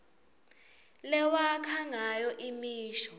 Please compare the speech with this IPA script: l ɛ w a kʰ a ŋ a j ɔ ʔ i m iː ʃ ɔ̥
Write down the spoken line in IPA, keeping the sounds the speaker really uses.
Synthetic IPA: l ɛ w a kʰ a ŋ a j ɔ ʔ i m iː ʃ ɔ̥